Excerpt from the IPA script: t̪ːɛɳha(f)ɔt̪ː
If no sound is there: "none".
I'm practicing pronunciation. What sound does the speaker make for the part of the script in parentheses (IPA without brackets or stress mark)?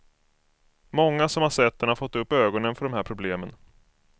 f